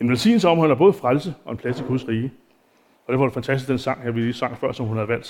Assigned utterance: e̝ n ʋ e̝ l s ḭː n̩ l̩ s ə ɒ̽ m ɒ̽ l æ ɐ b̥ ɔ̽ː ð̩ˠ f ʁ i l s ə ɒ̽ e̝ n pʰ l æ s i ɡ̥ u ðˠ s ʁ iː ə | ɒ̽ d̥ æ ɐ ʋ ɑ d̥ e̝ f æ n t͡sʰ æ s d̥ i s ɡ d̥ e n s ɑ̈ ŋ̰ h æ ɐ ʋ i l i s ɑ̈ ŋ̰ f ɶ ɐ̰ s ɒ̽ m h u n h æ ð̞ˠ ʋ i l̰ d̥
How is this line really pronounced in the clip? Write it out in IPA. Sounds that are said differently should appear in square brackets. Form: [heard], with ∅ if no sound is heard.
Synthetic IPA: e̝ n ʋ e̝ l s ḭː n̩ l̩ s ə ɒ̽ m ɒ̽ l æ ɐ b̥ ɔ̽ː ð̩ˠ f ʁ [a] l s ə ɒ̽ e̝ n pʰ l æ s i ɡ̥ u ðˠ s ʁ iː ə | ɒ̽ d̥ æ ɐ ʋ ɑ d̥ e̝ f æ n t͡sʰ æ s d̥ i s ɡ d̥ e n s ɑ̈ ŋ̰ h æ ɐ ʋ i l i s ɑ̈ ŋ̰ f ɶ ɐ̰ s ɒ̽ m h u n h æ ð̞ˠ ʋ [æ] l̰ d̥